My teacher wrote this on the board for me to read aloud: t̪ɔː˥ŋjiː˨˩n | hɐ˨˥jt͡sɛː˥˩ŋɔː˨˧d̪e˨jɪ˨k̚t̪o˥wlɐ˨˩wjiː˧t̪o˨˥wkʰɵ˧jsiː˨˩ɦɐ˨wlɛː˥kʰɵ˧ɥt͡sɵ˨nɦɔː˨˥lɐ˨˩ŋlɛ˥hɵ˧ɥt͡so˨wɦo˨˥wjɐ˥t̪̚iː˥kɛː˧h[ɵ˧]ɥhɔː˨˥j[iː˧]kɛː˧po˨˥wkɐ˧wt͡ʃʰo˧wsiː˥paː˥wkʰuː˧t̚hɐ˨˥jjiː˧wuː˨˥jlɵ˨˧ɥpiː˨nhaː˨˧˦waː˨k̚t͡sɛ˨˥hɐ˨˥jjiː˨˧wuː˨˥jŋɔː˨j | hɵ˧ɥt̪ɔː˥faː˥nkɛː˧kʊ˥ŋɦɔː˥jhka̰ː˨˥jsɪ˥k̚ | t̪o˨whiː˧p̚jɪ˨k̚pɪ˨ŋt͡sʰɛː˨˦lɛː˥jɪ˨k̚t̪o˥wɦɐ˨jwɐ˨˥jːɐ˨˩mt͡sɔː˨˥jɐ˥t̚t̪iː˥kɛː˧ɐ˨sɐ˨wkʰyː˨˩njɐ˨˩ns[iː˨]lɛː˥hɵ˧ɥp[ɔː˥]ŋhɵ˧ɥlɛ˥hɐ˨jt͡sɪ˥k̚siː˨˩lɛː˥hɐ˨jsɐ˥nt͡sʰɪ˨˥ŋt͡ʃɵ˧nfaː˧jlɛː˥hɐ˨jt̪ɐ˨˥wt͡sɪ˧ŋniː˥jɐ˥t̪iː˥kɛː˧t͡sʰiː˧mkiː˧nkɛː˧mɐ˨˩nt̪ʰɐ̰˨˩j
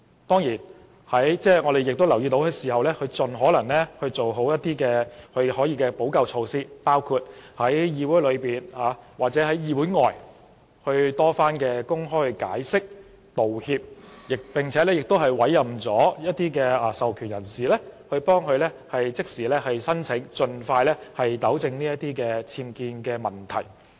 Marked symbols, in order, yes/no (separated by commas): yes, yes, yes, yes